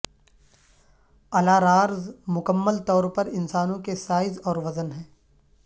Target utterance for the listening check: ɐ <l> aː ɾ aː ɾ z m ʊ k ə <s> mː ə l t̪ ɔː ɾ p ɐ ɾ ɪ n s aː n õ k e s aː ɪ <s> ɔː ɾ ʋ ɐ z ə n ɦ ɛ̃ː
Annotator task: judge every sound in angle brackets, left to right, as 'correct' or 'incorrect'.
correct, incorrect, incorrect

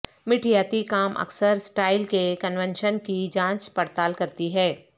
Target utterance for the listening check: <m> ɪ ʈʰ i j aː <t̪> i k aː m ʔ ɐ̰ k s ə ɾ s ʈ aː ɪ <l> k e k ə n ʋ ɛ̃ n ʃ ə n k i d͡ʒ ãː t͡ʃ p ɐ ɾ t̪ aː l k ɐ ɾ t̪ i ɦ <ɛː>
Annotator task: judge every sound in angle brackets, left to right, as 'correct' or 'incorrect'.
correct, correct, correct, correct

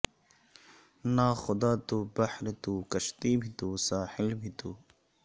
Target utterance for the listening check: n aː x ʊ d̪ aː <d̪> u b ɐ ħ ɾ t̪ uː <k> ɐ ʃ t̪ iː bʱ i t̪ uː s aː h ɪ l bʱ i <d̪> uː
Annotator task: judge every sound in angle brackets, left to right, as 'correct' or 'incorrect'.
incorrect, correct, incorrect

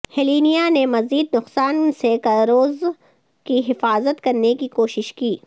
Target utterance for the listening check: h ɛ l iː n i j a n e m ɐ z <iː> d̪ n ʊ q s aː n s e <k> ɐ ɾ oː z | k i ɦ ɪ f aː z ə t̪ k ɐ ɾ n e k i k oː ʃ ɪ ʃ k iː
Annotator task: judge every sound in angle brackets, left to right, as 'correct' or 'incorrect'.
correct, correct

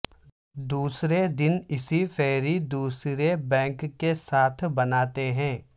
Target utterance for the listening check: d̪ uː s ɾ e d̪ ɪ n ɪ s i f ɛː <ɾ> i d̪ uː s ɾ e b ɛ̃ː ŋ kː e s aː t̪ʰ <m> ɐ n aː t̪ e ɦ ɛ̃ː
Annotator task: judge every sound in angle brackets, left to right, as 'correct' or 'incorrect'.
correct, incorrect

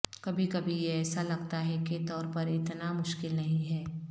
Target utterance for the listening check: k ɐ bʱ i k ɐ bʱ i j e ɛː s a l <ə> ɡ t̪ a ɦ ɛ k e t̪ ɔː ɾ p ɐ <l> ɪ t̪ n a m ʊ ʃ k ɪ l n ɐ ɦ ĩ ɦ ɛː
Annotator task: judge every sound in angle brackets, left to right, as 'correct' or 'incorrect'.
incorrect, incorrect

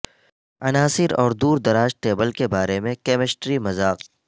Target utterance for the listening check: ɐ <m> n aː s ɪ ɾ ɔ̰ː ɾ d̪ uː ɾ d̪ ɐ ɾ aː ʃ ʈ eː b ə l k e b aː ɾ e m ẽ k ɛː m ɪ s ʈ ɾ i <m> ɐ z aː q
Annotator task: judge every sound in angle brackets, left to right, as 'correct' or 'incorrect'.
incorrect, correct

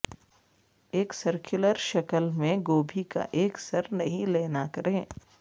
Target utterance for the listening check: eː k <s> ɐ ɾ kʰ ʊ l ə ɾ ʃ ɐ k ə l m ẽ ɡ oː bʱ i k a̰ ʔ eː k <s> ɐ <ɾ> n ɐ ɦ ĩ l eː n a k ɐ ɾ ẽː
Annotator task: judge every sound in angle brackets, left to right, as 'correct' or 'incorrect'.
correct, correct, correct

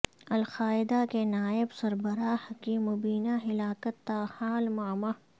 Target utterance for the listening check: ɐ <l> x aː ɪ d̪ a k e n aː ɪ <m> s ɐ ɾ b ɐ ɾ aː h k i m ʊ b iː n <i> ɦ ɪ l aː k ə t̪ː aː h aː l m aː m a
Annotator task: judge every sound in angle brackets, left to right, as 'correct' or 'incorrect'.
correct, incorrect, incorrect

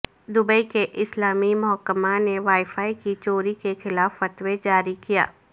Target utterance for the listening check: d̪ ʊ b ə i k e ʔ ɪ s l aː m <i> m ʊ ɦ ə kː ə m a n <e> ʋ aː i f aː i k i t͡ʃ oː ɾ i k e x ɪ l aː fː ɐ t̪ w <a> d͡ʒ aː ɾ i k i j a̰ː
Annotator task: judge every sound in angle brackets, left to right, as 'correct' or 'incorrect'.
correct, correct, incorrect

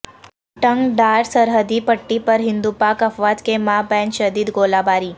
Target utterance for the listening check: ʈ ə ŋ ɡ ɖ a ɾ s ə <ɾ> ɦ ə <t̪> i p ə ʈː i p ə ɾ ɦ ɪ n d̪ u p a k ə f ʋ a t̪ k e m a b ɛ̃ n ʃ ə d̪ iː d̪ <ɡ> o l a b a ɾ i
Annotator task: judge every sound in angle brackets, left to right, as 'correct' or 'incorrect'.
correct, incorrect, correct

